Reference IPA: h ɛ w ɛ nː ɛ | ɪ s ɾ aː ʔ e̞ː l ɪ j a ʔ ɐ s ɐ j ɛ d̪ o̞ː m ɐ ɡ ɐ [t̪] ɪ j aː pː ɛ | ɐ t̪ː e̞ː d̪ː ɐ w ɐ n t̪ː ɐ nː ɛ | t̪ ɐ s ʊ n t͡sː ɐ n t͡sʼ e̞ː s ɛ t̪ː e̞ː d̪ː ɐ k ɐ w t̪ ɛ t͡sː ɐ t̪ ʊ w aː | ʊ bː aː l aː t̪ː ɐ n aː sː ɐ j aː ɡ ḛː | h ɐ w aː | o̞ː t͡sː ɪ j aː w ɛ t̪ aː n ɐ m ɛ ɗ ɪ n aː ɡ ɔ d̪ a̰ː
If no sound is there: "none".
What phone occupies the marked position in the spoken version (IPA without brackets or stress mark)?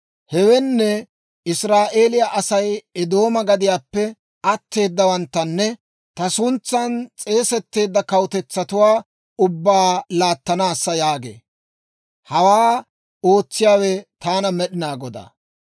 d̪